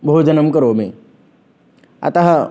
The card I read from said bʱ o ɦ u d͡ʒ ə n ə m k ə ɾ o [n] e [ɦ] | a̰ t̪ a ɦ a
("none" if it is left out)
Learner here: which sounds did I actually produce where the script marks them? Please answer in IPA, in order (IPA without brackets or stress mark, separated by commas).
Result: m, none